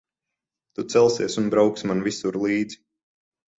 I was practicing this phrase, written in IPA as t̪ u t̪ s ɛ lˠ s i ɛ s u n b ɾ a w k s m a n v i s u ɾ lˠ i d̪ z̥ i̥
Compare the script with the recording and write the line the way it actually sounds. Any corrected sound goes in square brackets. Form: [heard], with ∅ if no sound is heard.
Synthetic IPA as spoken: t̪ u t̪ s ɛ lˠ s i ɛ s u n b ɾ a w k s m a n v i s u ɾ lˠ [iː] d̪ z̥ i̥

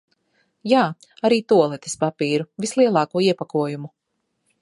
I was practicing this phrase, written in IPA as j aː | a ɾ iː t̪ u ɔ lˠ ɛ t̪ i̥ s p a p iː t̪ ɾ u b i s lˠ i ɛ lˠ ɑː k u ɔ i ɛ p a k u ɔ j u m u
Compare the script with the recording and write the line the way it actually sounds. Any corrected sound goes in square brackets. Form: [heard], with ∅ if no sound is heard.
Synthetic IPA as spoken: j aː | a ɾ iː t̪ u ɔ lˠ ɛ t̪ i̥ s p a p iː [∅] ɾ u [v] i s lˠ i ɛ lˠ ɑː k u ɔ i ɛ p a k u ɔ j u m u

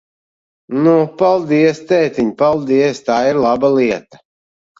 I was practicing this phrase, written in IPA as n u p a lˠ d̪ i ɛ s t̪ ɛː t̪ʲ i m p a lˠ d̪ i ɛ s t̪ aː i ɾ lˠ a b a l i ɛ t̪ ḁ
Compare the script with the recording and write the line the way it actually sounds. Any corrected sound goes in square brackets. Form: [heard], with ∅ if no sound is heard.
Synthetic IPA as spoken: n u p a lˠ d̪ i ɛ s t̪ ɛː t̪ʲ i [ɲ] p a lˠ d̪ i ɛ s t̪ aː i ɾ lˠ a b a l i ɛ t̪ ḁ

